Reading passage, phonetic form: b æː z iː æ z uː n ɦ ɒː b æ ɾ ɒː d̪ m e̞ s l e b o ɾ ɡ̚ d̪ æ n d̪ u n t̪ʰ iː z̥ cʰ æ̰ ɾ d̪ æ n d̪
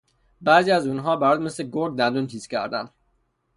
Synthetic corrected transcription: b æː z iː æ z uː n ɦ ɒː b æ ɾ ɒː d̪ m e̞ s l e ɡ o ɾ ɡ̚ d̪ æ n d̪ u n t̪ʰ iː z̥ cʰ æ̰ ɾ d̪ æ n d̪